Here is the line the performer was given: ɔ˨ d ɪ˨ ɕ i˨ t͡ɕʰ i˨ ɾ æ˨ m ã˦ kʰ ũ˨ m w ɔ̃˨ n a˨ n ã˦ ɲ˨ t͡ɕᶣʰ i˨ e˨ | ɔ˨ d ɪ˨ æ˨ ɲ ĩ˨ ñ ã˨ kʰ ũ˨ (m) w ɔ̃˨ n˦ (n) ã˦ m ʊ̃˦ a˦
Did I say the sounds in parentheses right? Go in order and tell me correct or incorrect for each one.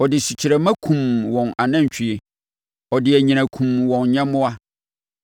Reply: correct, incorrect

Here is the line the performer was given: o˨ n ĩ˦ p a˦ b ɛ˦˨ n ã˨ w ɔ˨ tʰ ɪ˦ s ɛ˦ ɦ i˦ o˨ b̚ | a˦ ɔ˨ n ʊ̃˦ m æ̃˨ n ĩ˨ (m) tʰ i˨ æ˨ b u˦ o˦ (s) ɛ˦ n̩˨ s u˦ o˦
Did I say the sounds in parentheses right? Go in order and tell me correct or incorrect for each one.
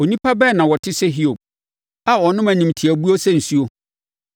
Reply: correct, correct

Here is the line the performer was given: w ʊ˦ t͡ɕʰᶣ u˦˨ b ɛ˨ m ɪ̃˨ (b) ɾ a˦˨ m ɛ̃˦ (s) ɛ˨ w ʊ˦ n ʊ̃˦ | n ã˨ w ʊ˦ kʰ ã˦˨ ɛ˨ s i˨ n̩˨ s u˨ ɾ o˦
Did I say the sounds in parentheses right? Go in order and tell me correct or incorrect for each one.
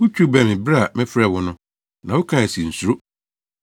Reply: correct, incorrect

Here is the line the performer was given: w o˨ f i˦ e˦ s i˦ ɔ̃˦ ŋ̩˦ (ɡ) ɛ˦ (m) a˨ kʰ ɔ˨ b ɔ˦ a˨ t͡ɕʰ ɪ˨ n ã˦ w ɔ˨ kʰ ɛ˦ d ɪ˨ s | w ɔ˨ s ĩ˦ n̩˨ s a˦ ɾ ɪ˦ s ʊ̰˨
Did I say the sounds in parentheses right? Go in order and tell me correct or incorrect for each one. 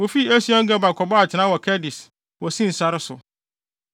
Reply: correct, incorrect

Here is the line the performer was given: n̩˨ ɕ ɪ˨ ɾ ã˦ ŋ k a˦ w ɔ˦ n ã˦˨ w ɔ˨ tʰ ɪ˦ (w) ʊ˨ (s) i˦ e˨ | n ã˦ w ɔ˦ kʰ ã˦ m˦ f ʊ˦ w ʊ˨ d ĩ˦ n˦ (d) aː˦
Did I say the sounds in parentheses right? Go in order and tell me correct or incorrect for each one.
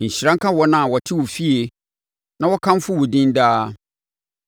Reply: correct, incorrect, correct

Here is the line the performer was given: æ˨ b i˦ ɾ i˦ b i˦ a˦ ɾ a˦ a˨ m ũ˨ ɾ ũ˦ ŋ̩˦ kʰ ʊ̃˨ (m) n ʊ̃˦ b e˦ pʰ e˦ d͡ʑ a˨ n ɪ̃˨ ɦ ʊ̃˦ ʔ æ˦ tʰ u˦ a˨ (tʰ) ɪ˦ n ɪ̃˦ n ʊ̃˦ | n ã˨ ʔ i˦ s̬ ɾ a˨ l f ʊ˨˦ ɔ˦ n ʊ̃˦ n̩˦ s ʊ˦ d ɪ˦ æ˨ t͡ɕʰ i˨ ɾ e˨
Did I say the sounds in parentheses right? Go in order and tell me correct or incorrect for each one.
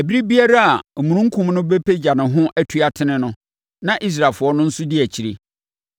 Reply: correct, correct

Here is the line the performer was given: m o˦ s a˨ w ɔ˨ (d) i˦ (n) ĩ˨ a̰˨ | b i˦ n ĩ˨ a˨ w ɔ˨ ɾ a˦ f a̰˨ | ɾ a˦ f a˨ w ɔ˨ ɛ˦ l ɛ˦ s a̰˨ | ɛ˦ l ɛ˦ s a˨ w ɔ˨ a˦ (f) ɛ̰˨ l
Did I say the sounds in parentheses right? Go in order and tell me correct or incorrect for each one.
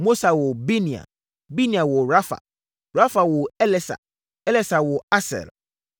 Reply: incorrect, correct, incorrect

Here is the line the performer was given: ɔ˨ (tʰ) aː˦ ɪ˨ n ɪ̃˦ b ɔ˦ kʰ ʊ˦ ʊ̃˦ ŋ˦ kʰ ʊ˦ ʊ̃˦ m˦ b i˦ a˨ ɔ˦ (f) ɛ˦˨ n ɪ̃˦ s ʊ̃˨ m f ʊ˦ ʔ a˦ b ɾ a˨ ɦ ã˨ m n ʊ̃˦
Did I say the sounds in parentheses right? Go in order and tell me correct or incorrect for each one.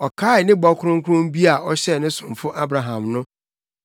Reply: incorrect, incorrect

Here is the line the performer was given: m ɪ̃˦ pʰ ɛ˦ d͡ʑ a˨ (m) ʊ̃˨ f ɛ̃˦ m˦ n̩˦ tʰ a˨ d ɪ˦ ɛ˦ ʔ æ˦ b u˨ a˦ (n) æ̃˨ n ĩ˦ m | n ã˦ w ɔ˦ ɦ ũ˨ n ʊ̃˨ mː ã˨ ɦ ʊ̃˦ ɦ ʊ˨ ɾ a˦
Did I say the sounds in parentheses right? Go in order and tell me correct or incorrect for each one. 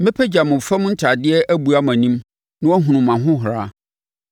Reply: correct, incorrect

